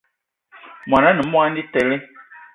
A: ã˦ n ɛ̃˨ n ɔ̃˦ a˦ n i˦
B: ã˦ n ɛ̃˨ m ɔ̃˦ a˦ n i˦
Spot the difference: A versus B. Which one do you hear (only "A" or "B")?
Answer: B